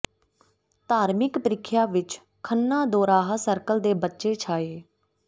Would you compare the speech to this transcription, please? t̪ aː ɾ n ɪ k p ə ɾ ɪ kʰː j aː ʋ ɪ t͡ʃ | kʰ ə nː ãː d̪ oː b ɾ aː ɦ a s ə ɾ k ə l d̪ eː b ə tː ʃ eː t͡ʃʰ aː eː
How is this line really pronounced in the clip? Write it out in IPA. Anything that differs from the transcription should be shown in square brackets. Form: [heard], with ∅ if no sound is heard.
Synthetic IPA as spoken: t̪ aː ɾ [m] ɪ k p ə ɾ ɪ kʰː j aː ʋ ɪ t͡ʃ | kʰ ə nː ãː d̪ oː [∅] ɾ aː ɦ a s ə ɾ k ə l d̪ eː b ə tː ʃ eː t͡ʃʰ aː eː